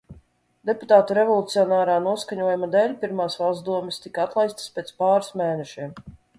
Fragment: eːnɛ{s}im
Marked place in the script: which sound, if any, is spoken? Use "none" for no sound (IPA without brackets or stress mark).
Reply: ʃ